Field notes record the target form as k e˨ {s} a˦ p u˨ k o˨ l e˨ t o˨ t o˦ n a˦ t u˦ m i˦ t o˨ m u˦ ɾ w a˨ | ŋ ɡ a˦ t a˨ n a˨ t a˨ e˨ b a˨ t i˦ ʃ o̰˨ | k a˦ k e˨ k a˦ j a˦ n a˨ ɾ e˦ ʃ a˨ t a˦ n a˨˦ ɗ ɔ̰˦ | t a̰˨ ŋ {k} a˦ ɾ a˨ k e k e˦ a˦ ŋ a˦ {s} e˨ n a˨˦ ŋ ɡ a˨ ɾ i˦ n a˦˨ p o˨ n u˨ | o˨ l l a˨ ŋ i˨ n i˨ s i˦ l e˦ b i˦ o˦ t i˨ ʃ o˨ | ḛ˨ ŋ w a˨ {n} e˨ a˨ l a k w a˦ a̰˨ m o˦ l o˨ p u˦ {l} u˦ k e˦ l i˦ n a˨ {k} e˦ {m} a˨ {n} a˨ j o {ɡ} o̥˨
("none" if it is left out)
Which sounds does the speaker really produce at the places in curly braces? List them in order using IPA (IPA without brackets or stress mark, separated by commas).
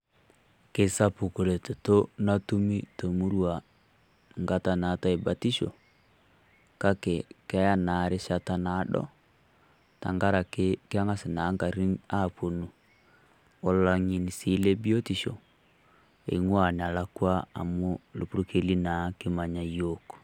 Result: s, ɡ, s, n, ɾ, k, m, ɲ, k